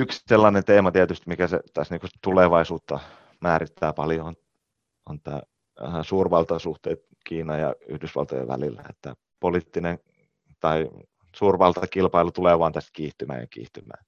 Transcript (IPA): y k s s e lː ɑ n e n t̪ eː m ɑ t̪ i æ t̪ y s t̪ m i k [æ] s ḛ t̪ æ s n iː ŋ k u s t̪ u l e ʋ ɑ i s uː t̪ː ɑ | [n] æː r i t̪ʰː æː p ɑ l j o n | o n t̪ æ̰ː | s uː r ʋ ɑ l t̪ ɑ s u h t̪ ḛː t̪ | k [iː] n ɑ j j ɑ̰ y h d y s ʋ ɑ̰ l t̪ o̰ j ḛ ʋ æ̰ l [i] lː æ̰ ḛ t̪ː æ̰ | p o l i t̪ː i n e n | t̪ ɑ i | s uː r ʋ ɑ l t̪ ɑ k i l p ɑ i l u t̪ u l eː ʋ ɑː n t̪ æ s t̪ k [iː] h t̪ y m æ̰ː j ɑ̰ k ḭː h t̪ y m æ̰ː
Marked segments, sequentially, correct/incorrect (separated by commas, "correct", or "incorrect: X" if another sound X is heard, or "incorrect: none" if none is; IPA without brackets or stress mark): correct, incorrect: m, correct, correct, correct